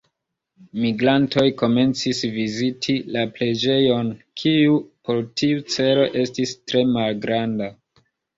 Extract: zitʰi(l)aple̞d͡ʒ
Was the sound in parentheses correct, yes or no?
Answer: yes